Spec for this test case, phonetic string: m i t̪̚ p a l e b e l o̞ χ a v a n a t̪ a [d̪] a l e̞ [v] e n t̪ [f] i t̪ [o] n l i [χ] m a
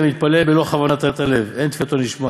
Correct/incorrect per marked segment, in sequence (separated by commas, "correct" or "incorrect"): incorrect, correct, correct, correct, incorrect